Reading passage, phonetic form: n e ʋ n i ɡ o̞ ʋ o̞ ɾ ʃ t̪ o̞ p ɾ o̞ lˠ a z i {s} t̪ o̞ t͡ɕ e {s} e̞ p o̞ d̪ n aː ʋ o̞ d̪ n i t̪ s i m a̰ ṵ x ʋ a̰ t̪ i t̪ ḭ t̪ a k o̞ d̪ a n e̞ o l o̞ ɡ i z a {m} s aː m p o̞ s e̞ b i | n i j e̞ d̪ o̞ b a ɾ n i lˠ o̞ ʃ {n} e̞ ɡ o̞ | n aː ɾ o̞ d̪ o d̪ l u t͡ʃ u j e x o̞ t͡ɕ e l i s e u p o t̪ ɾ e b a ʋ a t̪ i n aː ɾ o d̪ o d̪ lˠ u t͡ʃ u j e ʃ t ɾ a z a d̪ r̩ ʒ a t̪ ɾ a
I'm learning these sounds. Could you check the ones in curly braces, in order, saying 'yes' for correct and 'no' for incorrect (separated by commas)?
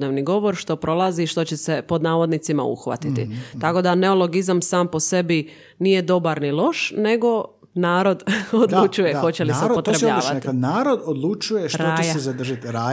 no, yes, yes, yes